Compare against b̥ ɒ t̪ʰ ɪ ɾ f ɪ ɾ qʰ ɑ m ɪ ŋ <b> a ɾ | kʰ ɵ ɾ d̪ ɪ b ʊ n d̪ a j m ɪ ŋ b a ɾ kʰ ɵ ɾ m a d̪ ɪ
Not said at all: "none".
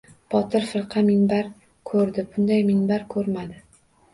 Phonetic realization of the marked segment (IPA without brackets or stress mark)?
b